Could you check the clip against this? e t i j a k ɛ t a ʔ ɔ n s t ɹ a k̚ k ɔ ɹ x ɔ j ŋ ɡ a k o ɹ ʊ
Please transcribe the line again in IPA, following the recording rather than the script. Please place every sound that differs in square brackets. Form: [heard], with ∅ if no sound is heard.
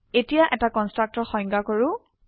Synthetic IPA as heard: e t i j a [ʔ] ɛ t a [k] ɔ n s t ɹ a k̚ [t] ɔ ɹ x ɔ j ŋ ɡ a k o ɹ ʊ